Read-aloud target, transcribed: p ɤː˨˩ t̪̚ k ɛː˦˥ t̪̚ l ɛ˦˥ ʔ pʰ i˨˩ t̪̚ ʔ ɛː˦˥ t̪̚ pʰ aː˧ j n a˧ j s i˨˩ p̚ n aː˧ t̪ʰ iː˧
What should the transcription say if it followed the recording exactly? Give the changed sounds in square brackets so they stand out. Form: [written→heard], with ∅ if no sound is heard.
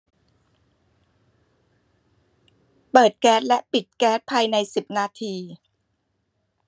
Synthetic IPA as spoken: p ɤː˨˩ t̪̚ k ɛː˦˥ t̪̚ l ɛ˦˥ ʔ [pʰ→p] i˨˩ t̪̚ [ʔ→k] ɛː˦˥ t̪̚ pʰ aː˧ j n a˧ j s i˨˩ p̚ n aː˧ t̪ʰ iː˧